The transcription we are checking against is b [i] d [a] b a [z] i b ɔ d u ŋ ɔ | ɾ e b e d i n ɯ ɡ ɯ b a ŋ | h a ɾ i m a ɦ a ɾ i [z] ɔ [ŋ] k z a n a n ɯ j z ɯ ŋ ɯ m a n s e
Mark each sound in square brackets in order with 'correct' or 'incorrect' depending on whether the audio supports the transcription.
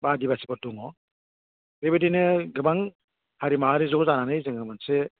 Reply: incorrect: a, incorrect: i, incorrect: s, correct, incorrect: none

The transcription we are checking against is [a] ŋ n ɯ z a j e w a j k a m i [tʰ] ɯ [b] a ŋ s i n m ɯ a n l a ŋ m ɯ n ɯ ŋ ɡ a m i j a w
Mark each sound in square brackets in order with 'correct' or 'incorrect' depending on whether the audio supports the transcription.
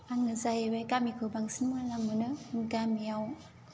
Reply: correct, incorrect: kʰ, correct

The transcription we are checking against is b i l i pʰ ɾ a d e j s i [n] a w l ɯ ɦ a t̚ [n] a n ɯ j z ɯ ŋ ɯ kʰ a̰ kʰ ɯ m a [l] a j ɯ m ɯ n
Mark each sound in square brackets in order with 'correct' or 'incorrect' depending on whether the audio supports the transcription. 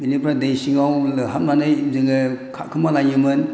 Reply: incorrect: ŋ, incorrect: m, correct

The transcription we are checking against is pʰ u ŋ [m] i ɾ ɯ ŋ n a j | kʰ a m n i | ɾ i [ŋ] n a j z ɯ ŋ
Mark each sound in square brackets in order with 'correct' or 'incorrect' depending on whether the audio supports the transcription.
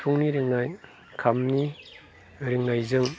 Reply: incorrect: n, correct

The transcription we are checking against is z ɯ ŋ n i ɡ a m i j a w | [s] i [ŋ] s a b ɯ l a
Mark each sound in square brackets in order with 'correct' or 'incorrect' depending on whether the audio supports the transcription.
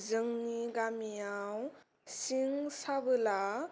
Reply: correct, correct

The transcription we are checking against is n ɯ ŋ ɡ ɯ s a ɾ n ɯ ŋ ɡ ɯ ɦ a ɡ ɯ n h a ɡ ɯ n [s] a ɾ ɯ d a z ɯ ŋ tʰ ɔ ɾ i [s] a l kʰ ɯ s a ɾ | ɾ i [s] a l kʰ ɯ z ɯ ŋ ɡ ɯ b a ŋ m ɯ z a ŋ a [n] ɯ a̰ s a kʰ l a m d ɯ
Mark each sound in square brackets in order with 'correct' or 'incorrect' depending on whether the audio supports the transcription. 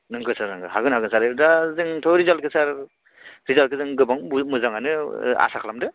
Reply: correct, incorrect: z, incorrect: z, correct

